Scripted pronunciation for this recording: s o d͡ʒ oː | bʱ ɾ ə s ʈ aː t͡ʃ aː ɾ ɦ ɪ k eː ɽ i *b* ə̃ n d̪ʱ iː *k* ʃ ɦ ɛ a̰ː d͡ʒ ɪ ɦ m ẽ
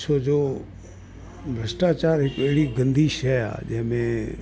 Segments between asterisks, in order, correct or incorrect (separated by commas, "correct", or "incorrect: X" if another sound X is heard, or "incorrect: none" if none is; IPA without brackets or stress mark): incorrect: ɡ, incorrect: none